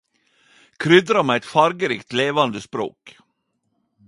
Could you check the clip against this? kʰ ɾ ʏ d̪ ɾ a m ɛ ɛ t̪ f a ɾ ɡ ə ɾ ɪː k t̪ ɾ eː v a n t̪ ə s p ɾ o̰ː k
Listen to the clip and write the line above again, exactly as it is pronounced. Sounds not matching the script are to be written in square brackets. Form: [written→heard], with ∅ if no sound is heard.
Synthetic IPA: kʰ ɾ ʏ d̪ ɾ a m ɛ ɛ t̪ f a ɾ ɡ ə ɾ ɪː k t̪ [ɾ→l] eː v a n [t̪→d̪] ə s p ɾ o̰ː k

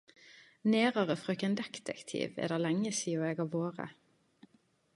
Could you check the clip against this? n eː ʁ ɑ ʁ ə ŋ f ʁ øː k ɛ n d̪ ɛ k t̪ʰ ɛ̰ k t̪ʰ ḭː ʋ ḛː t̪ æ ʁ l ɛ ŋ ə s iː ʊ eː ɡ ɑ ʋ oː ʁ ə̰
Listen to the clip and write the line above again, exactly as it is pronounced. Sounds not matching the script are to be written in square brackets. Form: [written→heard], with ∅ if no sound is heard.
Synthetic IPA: n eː ʁ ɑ ʁ ə [ŋ→∅] f ʁ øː k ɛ n d̪ ɛ k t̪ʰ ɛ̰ k t̪ʰ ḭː ʋ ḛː [t̪→d̪] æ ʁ l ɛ ŋ ə s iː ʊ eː ɡ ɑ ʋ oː ʁ ə̰

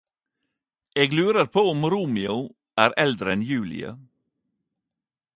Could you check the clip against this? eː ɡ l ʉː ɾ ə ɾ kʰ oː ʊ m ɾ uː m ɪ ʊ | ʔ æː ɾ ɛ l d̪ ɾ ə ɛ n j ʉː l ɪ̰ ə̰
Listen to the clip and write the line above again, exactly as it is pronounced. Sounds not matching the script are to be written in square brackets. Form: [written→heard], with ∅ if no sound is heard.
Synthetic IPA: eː ɡ l ʉː ɾ ə ɾ [kʰ→pʰ] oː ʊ m ɾ uː m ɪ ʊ | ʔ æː ɾ ɛ l d̪ ɾ ə ɛ n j ʉː l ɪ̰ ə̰

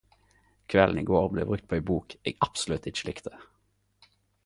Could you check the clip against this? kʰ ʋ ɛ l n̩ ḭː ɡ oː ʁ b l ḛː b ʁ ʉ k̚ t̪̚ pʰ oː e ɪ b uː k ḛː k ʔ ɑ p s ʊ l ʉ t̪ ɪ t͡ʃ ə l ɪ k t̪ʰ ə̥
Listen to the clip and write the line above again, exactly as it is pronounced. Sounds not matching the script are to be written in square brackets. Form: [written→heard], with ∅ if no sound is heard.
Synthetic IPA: kʰ ʋ ɛ l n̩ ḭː ɡ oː ʁ b l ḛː b ʁ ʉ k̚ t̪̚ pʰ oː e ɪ b uː k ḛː [k→ɡ] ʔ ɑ p s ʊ l ʉ t̪ ɪ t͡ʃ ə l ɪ k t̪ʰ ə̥

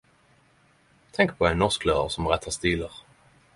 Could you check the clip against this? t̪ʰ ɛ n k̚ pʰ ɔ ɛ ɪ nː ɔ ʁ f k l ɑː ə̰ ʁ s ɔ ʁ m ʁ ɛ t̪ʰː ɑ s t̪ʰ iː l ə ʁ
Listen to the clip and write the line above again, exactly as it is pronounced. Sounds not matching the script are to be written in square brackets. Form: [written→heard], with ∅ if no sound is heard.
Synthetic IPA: t̪ʰ ɛ [n→ŋ] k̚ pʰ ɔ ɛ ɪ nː ɔ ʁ [f→s] k l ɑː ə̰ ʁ s ɔ [ʁ→∅] m ʁ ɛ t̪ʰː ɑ s [t̪ʰ→t̪] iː l ə ʁ

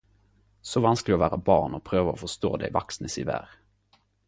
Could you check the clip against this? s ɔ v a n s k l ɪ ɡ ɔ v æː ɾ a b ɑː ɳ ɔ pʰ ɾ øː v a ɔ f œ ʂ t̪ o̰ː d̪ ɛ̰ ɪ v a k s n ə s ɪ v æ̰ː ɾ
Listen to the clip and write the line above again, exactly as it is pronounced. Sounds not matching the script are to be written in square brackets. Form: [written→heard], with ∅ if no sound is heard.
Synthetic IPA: s ɔ v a n s k l ɪ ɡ ɔ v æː ɾ a b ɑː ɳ ɔ pʰ ɾ øː v a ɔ f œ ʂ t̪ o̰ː d̪ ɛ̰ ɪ v a k s n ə s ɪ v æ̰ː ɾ

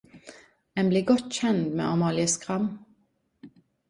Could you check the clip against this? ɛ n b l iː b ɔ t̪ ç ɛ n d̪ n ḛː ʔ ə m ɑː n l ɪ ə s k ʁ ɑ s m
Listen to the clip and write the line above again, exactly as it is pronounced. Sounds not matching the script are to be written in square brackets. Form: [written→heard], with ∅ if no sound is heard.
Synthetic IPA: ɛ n b l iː [b→ɡ] ɔ t̪ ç ɛ n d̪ [n→m] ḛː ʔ [ə→ɑ] m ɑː [n→∅] l ɪ ə s k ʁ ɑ [s→∅] m

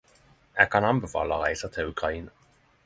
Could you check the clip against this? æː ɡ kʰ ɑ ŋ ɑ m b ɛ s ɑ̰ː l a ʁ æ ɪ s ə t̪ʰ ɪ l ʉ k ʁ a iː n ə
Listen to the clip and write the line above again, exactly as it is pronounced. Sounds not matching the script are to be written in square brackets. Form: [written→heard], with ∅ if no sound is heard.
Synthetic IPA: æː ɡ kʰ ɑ [ŋ→n] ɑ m b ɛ [s→f] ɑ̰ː l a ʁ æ ɪ s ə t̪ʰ ɪ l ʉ k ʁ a iː n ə

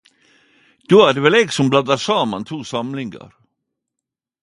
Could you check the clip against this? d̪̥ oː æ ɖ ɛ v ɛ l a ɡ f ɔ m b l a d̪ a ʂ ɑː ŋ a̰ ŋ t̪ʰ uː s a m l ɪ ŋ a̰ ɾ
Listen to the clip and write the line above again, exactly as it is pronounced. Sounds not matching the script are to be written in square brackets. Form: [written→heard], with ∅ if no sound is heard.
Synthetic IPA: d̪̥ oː æ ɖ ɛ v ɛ l [a→ɛ] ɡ [f→s] ɔ m b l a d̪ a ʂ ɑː [ŋ→m] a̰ [ŋ→n] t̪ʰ uː s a m l ɪ ŋ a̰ ɾ

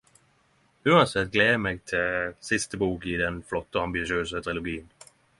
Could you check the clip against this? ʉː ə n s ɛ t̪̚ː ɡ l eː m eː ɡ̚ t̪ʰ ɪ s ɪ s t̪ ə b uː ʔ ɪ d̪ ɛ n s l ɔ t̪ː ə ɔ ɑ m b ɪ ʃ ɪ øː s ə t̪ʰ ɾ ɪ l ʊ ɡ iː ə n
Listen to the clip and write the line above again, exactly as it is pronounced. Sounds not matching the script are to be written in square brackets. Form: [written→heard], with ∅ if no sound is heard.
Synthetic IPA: ʉː [ə→ɑ] n s ɛ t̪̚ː ɡ l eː m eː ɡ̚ t̪ʰ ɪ s ɪ s t̪ ə b uː [ʔ→k] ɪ d̪ ɛ n [s→f] l ɔ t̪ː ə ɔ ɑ m b ɪ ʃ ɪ øː s ə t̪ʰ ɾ ɪ l ʊ ɡ iː ə n

